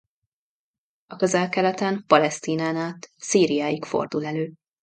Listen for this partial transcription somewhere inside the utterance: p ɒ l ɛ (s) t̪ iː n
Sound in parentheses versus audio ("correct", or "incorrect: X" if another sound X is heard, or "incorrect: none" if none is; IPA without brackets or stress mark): correct